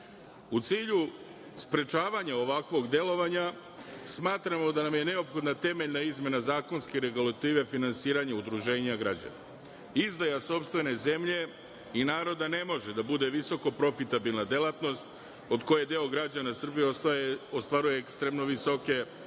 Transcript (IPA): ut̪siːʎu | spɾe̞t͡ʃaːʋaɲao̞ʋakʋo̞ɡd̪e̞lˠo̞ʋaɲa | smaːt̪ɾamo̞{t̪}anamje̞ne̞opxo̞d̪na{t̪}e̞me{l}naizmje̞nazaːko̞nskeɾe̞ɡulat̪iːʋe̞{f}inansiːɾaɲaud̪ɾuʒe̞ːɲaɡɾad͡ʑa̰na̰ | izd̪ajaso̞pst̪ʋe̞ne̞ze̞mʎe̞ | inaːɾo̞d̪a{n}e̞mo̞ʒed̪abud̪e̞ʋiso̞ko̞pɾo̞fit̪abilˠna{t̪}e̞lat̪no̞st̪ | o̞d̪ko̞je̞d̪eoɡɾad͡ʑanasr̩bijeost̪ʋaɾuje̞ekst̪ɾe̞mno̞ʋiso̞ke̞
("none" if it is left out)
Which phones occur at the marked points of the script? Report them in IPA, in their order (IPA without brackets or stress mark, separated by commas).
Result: d̪, t̪, ʎ, f, n, d̪